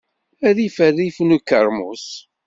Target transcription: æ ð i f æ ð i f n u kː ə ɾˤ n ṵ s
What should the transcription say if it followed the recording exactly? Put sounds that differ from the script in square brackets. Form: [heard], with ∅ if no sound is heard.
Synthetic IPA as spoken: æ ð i f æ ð i f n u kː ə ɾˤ [m] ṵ s